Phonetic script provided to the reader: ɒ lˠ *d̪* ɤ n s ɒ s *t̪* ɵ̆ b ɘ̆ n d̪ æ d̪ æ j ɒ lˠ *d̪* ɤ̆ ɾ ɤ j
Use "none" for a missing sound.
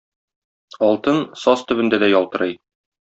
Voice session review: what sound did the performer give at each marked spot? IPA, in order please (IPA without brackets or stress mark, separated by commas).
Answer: t̪, t̪, t̪